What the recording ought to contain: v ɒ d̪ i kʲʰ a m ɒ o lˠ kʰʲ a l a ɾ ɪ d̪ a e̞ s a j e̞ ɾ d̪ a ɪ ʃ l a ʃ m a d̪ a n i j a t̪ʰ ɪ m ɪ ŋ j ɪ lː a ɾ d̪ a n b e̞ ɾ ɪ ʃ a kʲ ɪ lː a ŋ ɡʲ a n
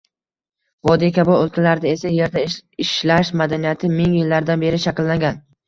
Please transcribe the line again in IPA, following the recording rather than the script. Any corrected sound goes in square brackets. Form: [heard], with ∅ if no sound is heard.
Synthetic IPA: v ɒ d̪ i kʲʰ a [b] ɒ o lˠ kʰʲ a l a ɾ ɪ d̪ a e̞ s a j e̞ ɾ d̪ a ɪ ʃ l a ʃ m a d̪ a n i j a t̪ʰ ɪ m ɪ ŋ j ɪ lː a ɾ d̪ a n b e̞ ɾ ɪ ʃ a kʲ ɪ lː a ŋ ɡʲ a n